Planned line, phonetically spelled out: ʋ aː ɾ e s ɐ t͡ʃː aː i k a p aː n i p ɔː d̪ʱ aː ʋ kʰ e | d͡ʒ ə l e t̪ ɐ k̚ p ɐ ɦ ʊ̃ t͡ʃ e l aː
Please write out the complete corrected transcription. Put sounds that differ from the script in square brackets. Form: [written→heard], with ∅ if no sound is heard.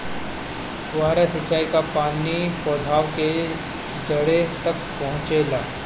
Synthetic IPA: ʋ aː ɾ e s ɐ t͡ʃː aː i k a p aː n i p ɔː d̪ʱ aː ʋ [kʰ→k] e | d͡ʒ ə [l→ɽ] e t̪ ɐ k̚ p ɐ ɦ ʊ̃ t͡ʃ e l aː